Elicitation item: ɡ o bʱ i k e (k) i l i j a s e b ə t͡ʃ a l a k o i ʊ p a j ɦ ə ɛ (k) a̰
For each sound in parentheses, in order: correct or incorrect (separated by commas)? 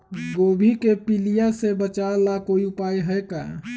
incorrect, correct